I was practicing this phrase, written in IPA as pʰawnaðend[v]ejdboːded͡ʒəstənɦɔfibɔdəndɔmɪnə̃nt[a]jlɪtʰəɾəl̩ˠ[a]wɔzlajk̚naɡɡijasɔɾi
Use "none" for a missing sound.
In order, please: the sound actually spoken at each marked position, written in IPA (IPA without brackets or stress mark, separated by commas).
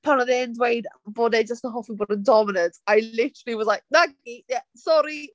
w, a, i